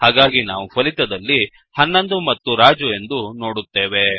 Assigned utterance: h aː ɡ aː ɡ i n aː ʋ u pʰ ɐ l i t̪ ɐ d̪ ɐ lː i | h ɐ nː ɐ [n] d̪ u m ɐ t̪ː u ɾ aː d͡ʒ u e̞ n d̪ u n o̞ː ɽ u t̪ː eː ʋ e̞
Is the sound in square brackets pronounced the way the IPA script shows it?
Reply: yes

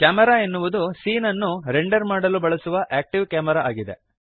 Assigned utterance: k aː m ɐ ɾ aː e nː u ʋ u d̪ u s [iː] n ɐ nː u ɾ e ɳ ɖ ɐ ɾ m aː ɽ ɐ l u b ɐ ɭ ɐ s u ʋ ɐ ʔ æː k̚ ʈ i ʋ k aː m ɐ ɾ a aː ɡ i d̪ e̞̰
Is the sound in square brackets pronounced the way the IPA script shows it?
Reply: yes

